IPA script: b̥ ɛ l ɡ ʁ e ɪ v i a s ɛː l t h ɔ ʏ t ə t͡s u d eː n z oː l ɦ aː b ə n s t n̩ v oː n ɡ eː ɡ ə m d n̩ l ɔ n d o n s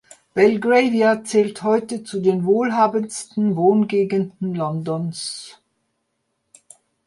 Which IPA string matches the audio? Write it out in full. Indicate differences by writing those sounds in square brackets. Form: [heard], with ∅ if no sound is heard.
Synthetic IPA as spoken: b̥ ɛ l ɡ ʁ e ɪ v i a [t͡s] ɛː l t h ɔ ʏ t ə t͡s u d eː n [v] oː l ɦ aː b ə n s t n̩ v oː n ɡ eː ɡ ə [n] d n̩ l ɔ n d [ɔ] n s